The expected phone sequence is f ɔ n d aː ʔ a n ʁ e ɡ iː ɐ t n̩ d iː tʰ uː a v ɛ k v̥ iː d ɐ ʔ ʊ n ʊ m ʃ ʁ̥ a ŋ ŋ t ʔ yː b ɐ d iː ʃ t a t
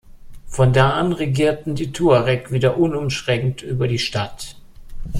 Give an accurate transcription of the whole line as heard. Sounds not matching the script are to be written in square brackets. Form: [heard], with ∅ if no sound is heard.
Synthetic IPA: f ɔ n d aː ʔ a n ʁ e ɡ iː ɐ t n̩ d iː tʰ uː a [ʁ] ɛ k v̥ iː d ɐ ʔ ʊ n ʊ m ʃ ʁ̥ [ɛ] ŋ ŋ t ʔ yː b ɐ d iː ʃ t a t